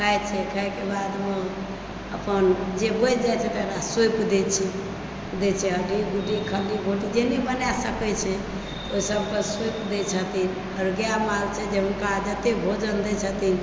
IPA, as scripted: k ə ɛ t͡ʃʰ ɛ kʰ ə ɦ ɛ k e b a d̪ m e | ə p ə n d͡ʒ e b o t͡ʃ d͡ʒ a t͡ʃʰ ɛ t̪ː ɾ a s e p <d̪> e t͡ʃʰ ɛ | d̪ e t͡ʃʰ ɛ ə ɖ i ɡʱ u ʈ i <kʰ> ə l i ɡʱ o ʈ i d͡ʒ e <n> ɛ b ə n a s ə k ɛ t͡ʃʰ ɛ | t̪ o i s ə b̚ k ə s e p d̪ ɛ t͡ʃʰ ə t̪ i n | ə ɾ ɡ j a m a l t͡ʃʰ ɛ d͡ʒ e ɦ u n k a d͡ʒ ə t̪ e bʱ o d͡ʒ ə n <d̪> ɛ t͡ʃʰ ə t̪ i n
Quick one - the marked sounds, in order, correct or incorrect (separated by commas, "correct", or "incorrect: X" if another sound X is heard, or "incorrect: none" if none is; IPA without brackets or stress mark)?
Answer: correct, correct, correct, correct